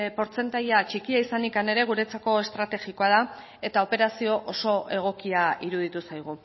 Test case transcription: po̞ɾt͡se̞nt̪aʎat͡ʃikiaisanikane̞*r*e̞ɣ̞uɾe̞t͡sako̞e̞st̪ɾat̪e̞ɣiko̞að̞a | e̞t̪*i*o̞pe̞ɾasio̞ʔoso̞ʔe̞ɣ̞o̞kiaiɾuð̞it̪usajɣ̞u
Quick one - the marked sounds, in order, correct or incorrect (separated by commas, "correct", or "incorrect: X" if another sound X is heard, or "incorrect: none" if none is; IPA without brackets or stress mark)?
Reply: incorrect: ɾ, incorrect: a